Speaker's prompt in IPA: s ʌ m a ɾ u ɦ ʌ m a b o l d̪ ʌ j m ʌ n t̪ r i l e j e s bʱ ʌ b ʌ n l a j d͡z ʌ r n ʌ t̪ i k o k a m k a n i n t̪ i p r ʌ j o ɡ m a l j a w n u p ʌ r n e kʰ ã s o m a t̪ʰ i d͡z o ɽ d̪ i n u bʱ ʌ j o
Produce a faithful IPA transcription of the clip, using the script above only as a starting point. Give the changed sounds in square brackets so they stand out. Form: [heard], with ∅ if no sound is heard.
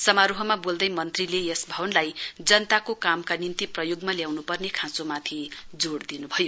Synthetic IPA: s ʌ m a ɾ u ɦ ʌ m a b o l d̪ ʌ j m ʌ n t̪ r i l e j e s bʱ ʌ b ʌ n l a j d͡z ʌ [∅] n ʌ t̪ [a] k o k a m k a n i n t̪ i p r ʌ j o ɡ m a l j a w n u p ʌ r n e kʰ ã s o m a t̪ʰ i d͡z o ɽ d̪ i n u bʱ ʌ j o